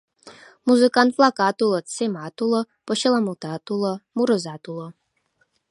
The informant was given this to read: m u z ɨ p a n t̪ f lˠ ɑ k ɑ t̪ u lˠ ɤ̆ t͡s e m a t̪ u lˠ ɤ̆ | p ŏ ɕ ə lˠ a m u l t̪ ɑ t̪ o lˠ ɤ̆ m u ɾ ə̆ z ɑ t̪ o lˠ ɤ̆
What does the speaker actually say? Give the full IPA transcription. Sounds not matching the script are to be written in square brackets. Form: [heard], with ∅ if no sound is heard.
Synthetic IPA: m u z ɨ [k] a n t̪ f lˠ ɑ k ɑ t̪ u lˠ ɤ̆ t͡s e m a t̪ u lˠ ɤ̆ | p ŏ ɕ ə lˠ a m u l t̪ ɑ t̪ [u] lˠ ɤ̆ m u ɾ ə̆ z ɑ t̪ [u] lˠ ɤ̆